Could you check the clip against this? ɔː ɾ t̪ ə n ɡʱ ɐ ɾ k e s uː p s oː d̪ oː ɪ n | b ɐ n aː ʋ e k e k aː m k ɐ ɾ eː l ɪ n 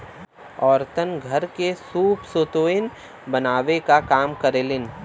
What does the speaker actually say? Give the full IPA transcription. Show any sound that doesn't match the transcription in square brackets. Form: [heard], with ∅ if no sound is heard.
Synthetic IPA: ɔː ɾ t̪ ə n ɡʱ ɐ ɾ k e s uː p s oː [t̪] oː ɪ n | b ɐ n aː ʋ e k [a] k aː m k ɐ ɾ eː l ɪ n